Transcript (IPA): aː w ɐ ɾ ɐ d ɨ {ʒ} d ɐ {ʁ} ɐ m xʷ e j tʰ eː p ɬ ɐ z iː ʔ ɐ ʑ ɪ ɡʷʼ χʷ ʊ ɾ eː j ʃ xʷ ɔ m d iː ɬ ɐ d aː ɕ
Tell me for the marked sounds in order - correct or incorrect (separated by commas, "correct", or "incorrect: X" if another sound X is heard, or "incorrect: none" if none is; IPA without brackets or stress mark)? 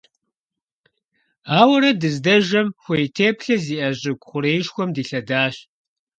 incorrect: z, incorrect: ʒ